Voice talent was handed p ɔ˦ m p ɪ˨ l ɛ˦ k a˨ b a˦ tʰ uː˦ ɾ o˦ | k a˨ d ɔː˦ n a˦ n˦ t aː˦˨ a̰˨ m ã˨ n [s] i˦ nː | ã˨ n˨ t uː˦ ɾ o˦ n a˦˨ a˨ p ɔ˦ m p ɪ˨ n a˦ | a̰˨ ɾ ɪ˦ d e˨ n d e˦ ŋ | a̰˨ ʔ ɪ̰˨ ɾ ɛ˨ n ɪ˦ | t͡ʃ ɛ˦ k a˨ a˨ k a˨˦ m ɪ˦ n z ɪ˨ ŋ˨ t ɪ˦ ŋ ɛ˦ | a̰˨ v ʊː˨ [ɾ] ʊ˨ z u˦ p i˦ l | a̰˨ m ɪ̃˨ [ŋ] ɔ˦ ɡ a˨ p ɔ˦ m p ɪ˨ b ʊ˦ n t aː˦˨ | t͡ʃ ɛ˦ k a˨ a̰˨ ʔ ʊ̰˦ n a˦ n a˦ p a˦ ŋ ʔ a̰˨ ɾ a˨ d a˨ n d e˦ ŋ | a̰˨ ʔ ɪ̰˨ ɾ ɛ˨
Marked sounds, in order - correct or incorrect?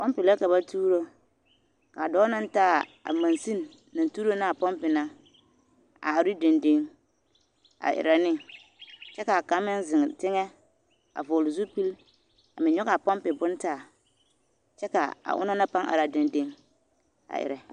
correct, incorrect, incorrect

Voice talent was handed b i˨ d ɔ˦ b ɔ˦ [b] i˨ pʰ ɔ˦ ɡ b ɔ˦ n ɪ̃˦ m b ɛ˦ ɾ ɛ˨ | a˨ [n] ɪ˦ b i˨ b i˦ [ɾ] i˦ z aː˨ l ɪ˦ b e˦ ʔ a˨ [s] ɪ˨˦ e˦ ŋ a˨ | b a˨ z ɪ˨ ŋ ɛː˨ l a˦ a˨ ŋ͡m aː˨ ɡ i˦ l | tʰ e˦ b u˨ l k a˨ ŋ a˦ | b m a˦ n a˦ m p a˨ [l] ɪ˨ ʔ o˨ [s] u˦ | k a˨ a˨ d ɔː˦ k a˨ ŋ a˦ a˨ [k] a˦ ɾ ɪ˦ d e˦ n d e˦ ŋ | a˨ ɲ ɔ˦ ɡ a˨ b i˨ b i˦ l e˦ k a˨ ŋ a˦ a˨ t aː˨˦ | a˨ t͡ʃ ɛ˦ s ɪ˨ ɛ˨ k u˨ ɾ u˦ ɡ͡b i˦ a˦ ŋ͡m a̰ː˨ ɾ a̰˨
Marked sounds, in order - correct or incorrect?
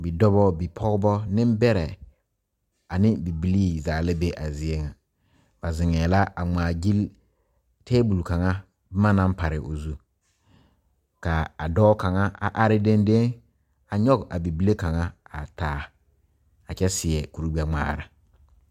correct, correct, incorrect, incorrect, incorrect, incorrect, incorrect

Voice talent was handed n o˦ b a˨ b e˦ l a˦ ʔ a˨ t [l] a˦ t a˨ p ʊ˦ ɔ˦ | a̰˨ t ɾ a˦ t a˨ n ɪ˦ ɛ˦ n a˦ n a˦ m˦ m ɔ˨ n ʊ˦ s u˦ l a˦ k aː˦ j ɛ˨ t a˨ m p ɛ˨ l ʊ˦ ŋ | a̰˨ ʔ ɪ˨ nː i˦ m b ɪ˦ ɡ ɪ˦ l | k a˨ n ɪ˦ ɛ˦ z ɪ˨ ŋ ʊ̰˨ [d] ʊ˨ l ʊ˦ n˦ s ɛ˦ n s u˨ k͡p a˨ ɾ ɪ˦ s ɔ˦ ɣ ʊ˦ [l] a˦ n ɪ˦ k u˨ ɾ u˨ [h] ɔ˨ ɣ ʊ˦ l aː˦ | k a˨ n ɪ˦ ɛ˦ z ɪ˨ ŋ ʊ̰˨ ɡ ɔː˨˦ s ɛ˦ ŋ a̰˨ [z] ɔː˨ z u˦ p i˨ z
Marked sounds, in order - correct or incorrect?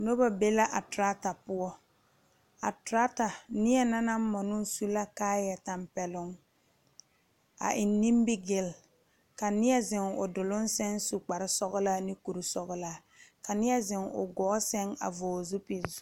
incorrect, correct, correct, incorrect, incorrect

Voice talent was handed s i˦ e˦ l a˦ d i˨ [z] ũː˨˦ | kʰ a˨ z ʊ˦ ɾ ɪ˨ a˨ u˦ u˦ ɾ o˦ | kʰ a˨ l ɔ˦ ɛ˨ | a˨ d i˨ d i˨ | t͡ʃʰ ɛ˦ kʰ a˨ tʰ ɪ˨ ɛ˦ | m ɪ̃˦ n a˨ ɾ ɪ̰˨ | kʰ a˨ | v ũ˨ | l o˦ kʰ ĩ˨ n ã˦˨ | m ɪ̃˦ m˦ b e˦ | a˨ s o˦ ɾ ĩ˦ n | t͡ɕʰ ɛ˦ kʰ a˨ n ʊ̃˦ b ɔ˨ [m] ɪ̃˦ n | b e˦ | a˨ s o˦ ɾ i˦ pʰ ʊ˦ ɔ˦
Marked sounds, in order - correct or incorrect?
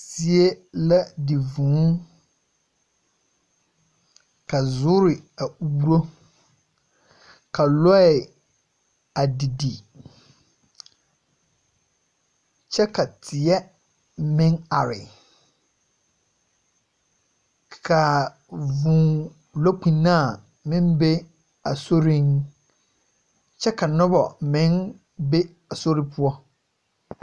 incorrect, correct

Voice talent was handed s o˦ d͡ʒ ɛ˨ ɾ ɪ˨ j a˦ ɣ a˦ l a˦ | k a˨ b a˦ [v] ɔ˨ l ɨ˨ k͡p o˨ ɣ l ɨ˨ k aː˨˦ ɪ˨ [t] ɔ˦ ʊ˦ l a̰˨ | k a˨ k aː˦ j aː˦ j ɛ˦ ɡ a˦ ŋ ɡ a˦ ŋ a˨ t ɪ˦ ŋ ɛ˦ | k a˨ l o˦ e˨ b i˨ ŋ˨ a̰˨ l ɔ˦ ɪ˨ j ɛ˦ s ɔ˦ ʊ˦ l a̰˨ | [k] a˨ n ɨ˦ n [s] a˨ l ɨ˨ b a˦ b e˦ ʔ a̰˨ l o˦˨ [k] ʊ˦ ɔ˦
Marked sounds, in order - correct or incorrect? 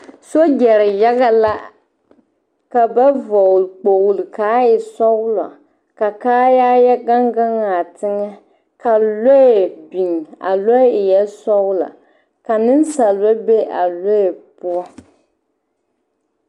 correct, incorrect, correct, correct, incorrect

